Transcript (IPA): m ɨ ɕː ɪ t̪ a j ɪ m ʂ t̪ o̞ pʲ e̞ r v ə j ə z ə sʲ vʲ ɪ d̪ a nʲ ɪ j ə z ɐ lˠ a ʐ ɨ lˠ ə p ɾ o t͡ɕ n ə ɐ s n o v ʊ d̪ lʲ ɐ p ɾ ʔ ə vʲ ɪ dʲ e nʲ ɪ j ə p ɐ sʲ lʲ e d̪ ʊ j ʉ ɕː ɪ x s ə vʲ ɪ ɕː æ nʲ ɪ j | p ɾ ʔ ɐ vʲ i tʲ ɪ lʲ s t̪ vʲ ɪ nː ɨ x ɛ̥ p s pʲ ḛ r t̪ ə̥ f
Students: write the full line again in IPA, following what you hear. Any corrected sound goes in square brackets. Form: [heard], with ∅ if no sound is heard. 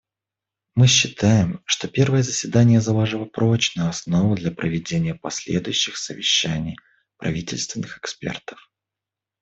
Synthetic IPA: m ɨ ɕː ɪ t̪ a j ɪ m ʂ t̪ o̞ pʲ e̞ r v ə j ə z ə sʲ vʲ ɪ d̪ a nʲ ɪ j ə z ɐ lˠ a ʐ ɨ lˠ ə p ɾ o t͡ɕ n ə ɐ s n o v ʊ d̪ lʲ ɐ p ɾ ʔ ə vʲ ɪ dʲ e nʲ ɪ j ə p ɐ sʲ lʲ e d̪ ʊ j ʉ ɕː ɪ x s ə vʲ ɪ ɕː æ nʲ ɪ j | p ɾ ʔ ɐ vʲ i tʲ ɪ lʲ s t̪ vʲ ɪ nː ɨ x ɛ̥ [k] s pʲ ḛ r t̪ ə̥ f